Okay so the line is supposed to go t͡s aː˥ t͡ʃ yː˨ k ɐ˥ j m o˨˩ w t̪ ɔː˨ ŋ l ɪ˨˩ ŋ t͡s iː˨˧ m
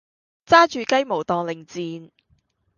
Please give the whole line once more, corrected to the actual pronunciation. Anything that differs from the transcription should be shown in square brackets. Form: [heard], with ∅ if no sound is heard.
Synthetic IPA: t͡s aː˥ t͡ʃ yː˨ k ɐ˥ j m o˨˩ w t̪ ɔː˨ ŋ l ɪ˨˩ ŋ t͡s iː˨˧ [n]